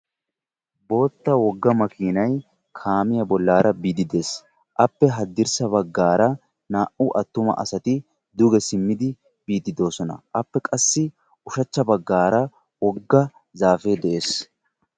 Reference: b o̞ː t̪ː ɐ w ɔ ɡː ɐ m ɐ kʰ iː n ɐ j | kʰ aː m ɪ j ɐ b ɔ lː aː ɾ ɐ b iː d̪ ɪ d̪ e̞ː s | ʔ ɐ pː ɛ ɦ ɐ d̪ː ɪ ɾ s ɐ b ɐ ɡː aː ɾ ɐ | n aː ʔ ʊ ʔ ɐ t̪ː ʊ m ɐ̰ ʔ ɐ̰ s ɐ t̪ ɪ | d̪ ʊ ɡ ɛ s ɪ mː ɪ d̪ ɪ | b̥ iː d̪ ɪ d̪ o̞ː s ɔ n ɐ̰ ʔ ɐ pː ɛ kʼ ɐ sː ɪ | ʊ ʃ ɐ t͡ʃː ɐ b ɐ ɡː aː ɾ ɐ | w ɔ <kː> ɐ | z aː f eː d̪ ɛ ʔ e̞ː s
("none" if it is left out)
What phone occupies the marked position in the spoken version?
ɡː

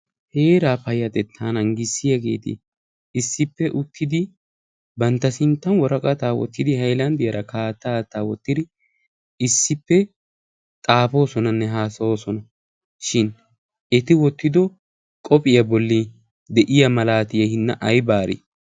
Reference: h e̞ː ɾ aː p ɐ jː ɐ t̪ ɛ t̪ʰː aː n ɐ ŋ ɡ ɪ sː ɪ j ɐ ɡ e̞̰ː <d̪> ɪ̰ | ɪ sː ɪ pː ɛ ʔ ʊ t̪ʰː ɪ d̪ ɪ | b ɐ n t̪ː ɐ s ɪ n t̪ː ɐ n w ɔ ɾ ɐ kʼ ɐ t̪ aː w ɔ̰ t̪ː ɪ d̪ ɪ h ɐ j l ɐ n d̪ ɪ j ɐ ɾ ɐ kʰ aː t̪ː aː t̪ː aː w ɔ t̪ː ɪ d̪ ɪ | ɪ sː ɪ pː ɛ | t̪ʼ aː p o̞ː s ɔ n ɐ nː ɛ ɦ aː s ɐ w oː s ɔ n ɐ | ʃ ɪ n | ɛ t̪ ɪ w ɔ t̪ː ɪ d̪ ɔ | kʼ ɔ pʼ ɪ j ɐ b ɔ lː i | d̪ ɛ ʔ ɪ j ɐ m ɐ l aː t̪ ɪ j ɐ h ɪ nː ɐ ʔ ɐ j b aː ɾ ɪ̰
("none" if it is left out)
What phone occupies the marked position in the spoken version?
t̪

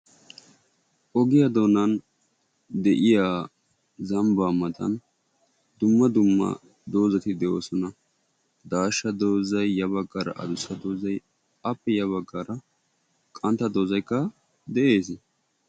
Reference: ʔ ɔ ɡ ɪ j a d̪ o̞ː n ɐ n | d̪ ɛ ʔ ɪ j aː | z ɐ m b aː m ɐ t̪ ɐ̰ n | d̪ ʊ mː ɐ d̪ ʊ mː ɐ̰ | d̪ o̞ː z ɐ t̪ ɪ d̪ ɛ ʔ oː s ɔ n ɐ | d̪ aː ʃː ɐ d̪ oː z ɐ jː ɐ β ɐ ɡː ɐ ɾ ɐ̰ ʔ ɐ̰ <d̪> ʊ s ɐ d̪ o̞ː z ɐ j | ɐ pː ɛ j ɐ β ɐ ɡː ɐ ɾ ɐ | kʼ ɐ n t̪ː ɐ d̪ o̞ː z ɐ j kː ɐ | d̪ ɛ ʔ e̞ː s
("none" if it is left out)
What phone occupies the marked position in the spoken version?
d̪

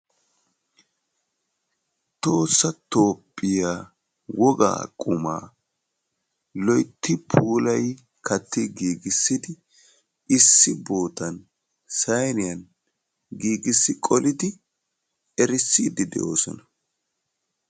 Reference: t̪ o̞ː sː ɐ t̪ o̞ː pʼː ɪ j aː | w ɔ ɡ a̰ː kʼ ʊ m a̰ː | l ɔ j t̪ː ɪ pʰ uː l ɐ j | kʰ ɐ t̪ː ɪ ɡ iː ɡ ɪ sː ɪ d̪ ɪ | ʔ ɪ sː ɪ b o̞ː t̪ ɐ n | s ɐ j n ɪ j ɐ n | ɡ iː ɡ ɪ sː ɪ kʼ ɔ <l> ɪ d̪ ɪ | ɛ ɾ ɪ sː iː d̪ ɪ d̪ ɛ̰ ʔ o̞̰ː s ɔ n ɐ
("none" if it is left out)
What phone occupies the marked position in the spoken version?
l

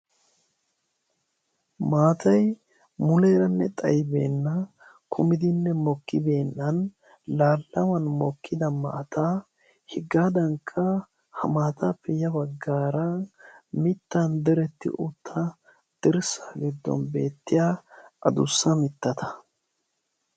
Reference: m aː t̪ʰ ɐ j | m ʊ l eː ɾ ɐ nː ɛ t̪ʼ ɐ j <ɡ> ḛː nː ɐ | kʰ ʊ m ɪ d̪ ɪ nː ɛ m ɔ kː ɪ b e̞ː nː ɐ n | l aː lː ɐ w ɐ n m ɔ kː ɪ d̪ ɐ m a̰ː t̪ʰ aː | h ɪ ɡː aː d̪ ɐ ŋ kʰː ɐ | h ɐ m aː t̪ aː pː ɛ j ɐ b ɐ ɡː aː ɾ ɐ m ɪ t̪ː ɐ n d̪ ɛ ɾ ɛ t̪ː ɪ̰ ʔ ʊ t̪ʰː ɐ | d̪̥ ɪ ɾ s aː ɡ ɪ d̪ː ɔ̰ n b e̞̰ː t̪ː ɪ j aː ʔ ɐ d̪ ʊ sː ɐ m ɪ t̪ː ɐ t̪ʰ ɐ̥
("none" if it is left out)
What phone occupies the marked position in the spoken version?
b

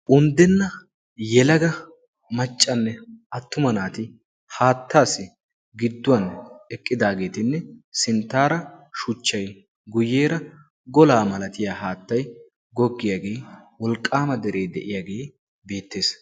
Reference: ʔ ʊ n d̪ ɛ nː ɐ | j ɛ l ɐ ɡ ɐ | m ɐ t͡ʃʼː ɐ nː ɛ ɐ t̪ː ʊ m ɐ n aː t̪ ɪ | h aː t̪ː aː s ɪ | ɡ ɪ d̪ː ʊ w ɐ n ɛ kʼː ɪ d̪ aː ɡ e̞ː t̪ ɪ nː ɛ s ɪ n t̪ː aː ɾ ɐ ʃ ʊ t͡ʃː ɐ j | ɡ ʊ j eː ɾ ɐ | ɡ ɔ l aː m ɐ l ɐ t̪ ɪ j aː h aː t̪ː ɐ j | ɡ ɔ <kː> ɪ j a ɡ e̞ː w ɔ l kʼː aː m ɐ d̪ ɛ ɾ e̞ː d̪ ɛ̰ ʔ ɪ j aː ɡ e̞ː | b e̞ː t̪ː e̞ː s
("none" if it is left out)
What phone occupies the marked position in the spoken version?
ɡː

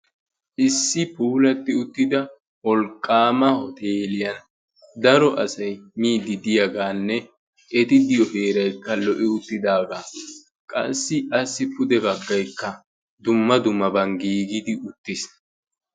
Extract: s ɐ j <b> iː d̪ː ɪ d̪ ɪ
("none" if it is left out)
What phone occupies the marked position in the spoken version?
m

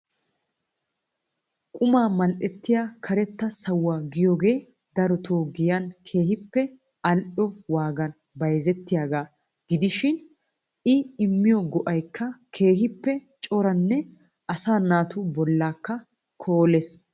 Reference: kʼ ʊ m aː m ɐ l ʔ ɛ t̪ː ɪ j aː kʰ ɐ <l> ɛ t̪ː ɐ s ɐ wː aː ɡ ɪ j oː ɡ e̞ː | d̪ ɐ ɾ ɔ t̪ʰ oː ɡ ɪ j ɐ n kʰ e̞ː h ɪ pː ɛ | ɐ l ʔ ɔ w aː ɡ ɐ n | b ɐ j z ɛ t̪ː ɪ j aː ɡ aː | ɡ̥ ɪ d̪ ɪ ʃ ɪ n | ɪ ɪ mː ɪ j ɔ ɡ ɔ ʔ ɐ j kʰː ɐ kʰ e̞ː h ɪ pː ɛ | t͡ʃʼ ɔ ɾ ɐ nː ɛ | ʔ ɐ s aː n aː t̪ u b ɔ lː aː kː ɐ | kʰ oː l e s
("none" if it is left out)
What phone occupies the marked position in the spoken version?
ɾ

